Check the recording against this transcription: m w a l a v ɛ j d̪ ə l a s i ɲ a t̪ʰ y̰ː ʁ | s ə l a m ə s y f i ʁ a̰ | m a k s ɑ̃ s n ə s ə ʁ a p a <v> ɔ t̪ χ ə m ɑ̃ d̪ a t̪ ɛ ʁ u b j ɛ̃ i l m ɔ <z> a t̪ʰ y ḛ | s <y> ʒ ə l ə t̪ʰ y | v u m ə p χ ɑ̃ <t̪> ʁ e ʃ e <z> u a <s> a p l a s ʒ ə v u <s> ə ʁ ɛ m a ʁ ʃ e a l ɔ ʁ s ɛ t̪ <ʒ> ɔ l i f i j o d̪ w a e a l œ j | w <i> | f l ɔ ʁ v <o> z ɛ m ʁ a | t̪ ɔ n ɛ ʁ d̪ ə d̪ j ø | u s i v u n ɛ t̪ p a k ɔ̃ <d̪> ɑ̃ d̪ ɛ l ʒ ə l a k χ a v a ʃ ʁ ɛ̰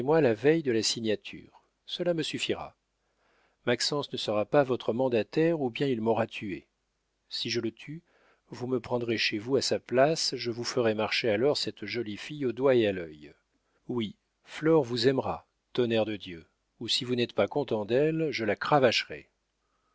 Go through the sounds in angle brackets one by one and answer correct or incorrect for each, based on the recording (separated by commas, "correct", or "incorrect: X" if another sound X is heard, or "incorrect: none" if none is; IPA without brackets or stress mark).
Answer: correct, incorrect: ʁ, incorrect: i, incorrect: d̪, incorrect: v, correct, incorrect: f, correct, correct, incorrect: u, incorrect: t̪